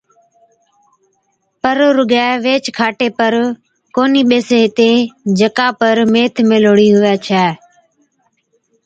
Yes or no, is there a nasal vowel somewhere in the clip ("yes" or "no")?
no